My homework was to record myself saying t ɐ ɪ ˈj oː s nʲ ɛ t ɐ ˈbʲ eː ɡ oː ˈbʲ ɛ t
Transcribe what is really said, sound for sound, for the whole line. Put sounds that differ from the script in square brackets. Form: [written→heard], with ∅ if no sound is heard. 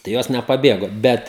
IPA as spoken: t ɐ ɪ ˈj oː s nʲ ɛ [t→p] ɐ ˈbʲ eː ɡ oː ˈbʲ ɛ t